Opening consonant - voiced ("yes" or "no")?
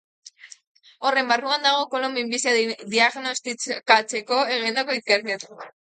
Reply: yes